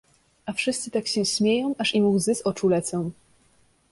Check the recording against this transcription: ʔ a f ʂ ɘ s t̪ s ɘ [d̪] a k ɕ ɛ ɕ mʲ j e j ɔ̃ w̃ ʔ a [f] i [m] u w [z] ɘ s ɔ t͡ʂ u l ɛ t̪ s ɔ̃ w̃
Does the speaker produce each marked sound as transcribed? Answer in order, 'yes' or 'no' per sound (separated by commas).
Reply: no, no, yes, yes